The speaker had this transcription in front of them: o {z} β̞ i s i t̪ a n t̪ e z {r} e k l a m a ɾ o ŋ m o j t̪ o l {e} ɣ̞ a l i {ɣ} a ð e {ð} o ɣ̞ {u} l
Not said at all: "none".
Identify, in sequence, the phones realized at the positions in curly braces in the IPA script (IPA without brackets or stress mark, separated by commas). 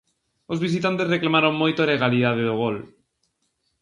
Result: z, r, e, ð, ð, o